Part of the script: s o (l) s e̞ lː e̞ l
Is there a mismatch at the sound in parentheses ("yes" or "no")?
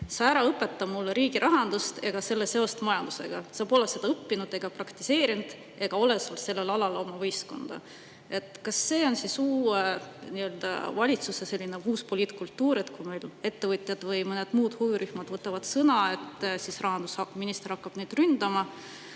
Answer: no